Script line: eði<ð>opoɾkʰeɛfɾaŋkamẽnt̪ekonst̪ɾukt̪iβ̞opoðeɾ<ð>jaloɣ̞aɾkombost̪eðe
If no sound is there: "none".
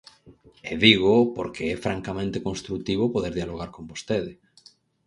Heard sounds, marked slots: ɣ, ð

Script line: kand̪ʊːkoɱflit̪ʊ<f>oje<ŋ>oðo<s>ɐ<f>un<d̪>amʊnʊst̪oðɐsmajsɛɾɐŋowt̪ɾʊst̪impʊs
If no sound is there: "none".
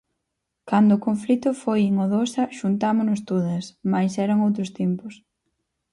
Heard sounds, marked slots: f, ŋ, s, ʃ, t̪

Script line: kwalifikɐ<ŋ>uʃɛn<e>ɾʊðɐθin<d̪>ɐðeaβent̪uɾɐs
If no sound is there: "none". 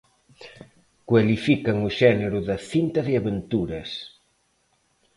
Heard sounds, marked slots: ŋ, e, t̪

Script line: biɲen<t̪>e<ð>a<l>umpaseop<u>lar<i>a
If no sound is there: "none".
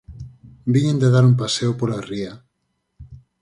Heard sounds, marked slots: d̪, ð, ɾ, o, i

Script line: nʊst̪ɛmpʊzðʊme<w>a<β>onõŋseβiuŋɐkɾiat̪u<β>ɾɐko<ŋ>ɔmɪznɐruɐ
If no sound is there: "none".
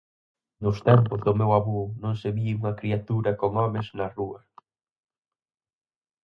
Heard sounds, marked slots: w, β, none, ŋ

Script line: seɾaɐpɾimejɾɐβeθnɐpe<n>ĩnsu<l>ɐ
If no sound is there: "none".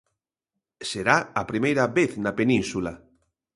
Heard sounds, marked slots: n, l

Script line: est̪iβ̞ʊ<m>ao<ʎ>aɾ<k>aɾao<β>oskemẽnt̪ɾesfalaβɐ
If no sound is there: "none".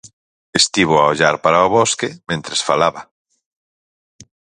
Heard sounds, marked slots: none, ʎ, p, β

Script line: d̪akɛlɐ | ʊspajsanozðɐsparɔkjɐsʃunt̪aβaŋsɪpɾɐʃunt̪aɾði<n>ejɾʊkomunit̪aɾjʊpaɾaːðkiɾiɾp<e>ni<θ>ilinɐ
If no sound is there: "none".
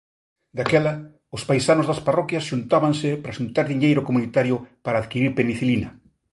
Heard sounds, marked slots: ɲ, e, θ

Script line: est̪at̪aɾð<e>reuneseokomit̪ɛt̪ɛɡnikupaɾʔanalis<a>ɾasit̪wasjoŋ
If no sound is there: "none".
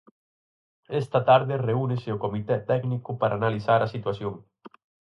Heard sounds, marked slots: e, a

